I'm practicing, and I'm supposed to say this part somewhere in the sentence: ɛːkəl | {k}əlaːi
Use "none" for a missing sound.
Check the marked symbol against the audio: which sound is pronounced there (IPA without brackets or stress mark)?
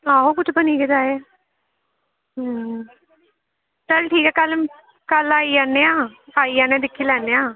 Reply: k